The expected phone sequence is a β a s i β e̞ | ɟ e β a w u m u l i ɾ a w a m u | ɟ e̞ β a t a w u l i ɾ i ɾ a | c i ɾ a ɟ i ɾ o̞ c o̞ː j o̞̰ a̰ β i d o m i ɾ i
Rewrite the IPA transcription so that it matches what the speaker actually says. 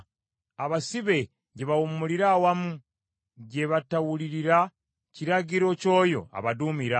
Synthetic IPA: a β a s i β e̞ | ɟ e β a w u m u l i ɾ a w a m u | ɟ e̞ β a t a w u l i ɾ i ɾ a | c i ɾ a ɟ i ɾ o̞ c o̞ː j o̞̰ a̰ β a d u m i ɾ a

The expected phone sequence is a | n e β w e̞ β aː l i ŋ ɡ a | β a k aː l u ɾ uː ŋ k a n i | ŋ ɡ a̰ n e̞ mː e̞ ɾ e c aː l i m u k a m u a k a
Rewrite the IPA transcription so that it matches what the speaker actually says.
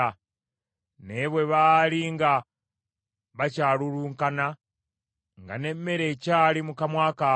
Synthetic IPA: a | n e β w e̞ β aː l i ŋ ɡ a | β a c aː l u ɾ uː ŋ k a n a | ŋ ɡ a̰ n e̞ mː e̞ ɾ e c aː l i m u k a m w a k a

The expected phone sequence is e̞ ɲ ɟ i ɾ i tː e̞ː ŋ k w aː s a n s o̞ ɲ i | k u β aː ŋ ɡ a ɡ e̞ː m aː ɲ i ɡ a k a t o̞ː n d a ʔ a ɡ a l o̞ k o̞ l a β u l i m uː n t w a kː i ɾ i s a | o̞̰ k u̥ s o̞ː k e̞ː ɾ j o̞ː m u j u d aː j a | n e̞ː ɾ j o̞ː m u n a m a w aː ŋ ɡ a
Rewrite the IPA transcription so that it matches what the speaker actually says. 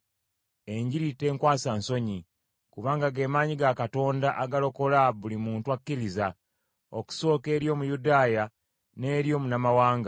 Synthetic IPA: e̞ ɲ ɟ i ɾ i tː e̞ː ŋ k w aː s a n s o̞ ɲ i | k u β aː ŋ ɡ a ɡ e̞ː m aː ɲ i ɡ a k a t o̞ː n d a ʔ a ɡ a l o̞ k o̞ l a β u l i m uː n t w a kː i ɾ i z a | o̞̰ k u̥ s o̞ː k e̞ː ɾ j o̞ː m u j u d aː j a | n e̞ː ɾ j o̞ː m u n a m a w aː ŋ ɡ a

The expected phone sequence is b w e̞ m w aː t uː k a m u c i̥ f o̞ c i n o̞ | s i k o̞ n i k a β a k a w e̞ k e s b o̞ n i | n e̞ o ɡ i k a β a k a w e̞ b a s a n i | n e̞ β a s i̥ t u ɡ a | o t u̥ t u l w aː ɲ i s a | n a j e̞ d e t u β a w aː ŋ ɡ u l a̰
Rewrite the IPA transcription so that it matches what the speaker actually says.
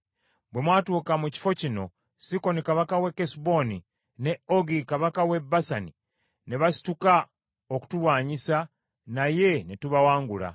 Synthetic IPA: b w e̞ m w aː t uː k a m u c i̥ f o̞ c i n o̞ | s i k o̞ n i k a β a k a w e̞ k e s b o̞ n i | n e̞ o ɡ i k a β a k a w e̞ b a s a n i | n e̞ β a s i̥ t u k a | o k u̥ t u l w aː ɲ i s a | n a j e̞ n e t u β a w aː ŋ ɡ u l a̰

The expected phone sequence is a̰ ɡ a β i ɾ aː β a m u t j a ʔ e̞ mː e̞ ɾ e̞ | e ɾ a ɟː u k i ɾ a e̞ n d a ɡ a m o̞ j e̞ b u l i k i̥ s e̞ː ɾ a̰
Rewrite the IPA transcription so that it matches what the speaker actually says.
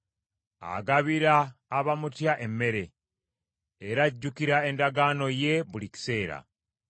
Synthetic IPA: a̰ ɡ a β i ɾ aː β a m u t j a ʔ e̞ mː e̞ ɾ e̞ | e ɾ a ɟː u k i ɾ a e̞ n d a ɡ a n o̞ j e̞ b u l i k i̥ s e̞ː ɾ a̰

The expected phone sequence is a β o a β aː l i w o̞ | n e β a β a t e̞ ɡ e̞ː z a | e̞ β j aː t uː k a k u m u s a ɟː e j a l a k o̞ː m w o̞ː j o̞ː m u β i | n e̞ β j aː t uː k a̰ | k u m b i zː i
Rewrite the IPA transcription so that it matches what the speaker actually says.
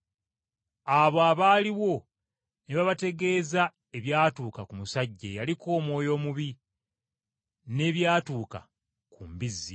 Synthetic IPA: a β o a β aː l i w o̞ | n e β a β a t e̞ ɡ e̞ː z a | e̞ β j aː t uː k a k u m u s a ɟː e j a l i k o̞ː m w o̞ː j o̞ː m u β i | n e̞ β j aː t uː k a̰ | k u m b i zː i

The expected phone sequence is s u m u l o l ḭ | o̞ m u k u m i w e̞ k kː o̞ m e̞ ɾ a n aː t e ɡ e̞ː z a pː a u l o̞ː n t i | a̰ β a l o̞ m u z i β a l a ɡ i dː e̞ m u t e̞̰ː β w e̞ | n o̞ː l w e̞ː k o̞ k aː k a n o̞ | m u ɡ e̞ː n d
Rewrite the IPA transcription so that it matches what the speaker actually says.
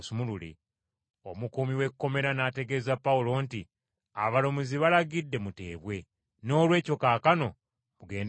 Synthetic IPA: s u m u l u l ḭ | o̞ m u k u m i w e̞ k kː o̞ m e̞ ɾ a n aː t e ɡ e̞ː z a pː a u l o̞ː n t i | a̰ β a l o̞ m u z i β a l a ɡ i dː e̞ m u t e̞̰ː β w e̞ | n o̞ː l w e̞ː c o̞ k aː k a n o̞ | m u ɡ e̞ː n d

